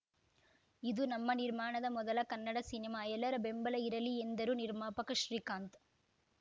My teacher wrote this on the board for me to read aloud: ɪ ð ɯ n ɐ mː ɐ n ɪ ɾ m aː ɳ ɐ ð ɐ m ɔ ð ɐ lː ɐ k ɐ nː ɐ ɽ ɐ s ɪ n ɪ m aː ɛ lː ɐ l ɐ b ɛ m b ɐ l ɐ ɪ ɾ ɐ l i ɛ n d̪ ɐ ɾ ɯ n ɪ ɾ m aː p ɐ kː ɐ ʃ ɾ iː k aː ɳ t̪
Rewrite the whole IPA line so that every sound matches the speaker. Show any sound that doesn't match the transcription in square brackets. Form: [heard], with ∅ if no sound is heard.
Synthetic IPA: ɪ ð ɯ n ɐ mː ɐ n ɪ ɾ m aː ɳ ɐ ð ɐ m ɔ ð ɐ [l] ɐ k ɐ nː ɐ ɽ ɐ s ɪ n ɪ m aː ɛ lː ɐ [ɾ] ɐ b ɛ m b ɐ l ɐ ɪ ɾ ɐ l i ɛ n d̪ ɐ ɾ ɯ n ɪ ɾ m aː p ɐ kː ɐ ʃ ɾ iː k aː [n] t̪